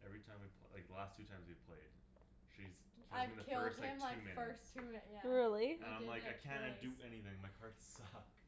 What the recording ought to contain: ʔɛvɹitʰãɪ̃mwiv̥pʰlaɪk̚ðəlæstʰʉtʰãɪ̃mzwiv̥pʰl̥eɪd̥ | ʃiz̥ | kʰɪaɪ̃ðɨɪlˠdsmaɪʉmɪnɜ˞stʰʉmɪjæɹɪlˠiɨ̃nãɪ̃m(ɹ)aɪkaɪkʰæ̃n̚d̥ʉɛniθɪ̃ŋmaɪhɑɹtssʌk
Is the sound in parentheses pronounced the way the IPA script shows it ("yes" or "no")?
no